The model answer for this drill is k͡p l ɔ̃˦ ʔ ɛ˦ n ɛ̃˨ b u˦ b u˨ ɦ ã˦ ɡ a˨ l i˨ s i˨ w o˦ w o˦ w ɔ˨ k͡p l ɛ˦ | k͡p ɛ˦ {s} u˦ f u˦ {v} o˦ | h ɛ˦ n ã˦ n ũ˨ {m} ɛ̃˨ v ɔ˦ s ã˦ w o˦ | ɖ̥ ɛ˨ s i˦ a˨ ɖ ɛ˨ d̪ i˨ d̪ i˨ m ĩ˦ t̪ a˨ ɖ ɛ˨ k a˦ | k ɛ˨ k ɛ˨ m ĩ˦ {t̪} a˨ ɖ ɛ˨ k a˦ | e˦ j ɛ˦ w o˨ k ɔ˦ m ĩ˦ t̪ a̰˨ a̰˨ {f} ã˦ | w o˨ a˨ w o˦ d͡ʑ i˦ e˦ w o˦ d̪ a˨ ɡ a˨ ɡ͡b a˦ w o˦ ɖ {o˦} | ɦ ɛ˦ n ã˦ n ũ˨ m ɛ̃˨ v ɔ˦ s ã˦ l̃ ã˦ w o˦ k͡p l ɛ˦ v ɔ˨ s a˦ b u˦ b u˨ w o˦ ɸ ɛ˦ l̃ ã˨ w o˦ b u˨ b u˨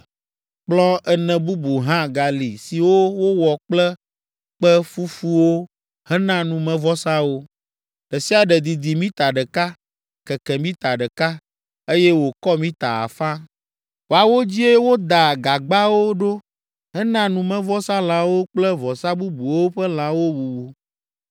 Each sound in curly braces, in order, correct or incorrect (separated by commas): incorrect, incorrect, correct, correct, correct, correct